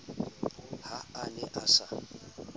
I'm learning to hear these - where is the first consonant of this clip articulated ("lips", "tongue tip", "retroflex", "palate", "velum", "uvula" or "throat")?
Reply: throat